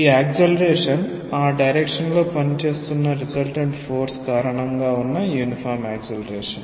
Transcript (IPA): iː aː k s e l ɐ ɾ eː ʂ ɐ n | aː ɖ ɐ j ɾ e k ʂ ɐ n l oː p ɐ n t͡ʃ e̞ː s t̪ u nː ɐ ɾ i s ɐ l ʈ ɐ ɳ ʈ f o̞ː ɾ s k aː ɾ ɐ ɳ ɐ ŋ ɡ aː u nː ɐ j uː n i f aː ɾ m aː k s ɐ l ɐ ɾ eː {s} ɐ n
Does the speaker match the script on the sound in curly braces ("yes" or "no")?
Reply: no